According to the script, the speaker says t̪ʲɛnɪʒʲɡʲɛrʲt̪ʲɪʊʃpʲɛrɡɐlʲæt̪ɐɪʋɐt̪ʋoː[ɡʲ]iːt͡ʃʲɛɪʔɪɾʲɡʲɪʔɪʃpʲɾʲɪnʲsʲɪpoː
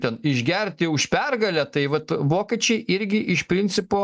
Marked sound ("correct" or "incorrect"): incorrect